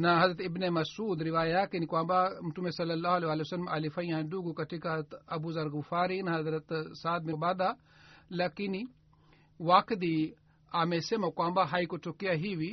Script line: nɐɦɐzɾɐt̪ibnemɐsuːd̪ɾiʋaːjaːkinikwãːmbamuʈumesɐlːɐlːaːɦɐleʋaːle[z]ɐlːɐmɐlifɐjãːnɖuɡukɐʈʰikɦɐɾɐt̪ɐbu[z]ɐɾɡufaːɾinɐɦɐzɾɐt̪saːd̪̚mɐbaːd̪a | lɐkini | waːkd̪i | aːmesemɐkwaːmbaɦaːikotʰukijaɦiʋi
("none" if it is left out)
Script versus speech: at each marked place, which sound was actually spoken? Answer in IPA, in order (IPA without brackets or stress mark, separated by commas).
s, z